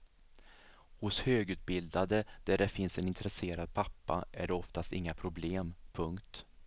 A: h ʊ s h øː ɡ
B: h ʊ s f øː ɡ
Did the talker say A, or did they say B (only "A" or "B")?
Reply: A